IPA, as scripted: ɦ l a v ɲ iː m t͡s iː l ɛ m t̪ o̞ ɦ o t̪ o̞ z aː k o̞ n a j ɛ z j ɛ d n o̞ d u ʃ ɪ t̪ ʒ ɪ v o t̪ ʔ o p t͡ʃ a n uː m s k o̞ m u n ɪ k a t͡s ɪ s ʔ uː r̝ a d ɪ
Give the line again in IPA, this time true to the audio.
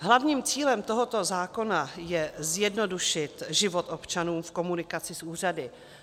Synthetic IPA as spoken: ɦ l a v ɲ iː m t͡s iː l ɛ m t̪ o̞ ɦ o t̪ o̞ z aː k o̞ n a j ɛ z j ɛ d n o̞ d u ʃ ɪ t̪ ʒ ɪ v o t̪ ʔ o p t͡ʃ a n uː m f k o̞ m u n ɪ k a t͡s ɪ s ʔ uː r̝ a d ɪ